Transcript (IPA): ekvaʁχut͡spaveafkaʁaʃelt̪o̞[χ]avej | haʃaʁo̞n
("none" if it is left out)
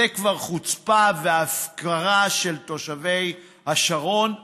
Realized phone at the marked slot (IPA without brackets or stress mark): ʃ